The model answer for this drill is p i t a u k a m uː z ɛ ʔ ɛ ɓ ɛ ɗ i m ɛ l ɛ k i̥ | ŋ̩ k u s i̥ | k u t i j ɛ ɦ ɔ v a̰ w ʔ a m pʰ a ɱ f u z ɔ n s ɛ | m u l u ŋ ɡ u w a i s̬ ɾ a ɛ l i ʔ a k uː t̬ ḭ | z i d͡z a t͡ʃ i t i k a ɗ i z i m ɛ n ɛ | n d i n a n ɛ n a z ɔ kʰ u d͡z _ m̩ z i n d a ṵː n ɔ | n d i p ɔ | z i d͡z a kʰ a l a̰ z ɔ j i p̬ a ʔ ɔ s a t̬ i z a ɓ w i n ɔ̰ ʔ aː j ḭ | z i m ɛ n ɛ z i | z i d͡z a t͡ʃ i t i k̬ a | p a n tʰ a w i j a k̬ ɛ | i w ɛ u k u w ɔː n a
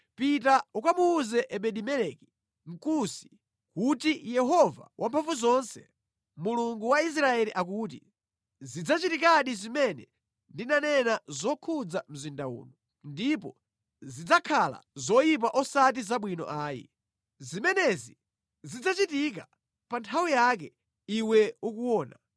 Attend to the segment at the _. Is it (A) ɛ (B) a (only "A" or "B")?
B